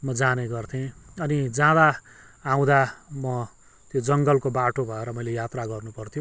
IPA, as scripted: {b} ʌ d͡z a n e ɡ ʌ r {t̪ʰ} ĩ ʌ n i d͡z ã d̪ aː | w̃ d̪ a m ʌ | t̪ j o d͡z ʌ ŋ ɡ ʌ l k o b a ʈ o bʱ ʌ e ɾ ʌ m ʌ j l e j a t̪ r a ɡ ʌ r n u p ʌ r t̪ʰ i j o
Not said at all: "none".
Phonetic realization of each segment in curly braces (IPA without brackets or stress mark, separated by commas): m, t̪ʰ